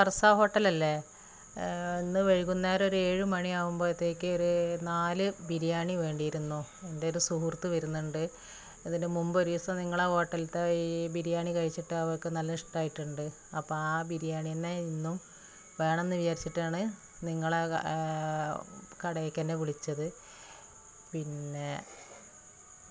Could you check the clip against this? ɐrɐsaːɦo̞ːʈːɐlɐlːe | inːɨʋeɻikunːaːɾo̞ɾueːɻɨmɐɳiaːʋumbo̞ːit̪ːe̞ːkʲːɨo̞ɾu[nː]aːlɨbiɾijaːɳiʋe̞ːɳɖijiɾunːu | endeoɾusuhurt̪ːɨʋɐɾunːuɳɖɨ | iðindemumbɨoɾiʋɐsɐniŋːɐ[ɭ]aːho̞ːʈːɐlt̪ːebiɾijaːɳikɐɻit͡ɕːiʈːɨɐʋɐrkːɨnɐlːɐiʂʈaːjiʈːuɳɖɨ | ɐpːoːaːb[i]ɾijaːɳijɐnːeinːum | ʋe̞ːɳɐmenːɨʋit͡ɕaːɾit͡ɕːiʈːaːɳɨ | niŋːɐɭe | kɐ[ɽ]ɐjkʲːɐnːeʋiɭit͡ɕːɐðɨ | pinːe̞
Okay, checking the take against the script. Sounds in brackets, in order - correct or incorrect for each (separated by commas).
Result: incorrect, correct, correct, correct